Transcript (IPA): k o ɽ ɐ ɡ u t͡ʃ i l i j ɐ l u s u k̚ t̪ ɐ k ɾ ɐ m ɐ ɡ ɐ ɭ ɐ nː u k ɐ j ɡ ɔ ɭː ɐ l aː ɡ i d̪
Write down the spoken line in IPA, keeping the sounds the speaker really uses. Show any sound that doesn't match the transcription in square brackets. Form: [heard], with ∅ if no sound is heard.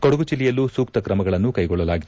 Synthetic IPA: k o ɽ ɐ ɡ u t͡ʃ i l i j ɐ l u s [uː] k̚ t̪ ɐ k ɾ ɐ m ɐ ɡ ɐ ɭ ɐ nː u k ɐ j ɡ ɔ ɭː ɐ l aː ɡ i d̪